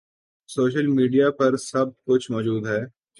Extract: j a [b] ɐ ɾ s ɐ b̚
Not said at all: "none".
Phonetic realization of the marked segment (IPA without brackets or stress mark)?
p